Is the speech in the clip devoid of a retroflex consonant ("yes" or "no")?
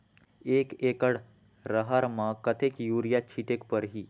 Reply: no